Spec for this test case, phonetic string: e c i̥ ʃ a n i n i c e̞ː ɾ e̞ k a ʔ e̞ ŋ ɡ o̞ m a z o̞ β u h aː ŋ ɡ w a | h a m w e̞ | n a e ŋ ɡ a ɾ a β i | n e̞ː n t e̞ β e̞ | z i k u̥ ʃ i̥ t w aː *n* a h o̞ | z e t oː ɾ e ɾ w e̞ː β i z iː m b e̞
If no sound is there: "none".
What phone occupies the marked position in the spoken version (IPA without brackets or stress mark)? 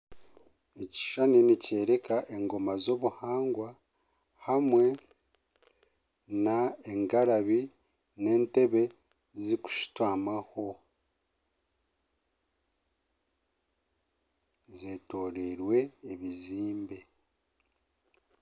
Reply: m